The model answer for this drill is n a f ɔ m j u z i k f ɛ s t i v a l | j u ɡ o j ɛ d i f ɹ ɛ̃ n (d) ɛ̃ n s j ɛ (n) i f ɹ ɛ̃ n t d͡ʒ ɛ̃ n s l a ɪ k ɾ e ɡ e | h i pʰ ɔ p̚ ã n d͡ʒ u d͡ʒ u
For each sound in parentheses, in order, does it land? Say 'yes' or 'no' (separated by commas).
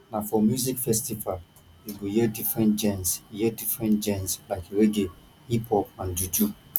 no, no